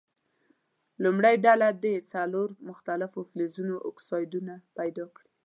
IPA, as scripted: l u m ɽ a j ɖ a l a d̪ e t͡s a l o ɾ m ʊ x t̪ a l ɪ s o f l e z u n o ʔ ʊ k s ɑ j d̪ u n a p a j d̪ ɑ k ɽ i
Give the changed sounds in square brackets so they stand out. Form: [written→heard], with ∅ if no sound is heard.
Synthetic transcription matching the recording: l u m ɽ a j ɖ a l a d̪ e t͡s a l o ɾ m ʊ x t̪ a l ɪ [s→f] o f l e z u n o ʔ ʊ k s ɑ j d̪ u n a p a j d̪ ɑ k ɽ i